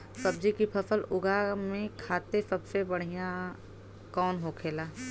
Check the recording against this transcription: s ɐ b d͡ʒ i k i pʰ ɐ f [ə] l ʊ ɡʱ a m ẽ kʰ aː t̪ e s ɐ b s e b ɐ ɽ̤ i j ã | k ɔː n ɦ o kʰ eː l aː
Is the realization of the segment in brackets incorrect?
no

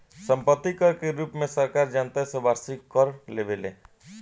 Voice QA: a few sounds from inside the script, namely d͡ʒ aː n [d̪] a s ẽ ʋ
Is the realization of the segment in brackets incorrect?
yes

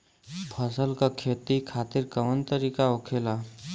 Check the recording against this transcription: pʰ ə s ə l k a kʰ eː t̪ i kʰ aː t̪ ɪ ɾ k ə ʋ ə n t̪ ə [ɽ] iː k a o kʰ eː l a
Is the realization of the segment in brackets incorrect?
yes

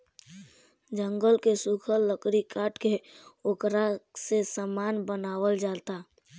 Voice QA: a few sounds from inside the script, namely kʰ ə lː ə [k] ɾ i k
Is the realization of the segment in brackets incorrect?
no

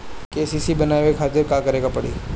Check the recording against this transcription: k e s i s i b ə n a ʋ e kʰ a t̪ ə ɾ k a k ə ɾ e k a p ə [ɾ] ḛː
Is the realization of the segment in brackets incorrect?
yes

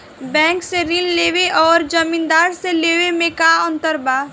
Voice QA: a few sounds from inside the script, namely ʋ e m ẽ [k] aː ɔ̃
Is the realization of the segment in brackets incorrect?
no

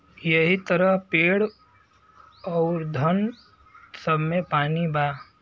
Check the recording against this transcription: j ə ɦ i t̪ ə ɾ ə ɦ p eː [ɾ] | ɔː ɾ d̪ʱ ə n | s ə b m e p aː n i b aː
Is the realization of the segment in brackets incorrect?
yes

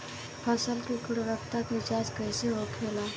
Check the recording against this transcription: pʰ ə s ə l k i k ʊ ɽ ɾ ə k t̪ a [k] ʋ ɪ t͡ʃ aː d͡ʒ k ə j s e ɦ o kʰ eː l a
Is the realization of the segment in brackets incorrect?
no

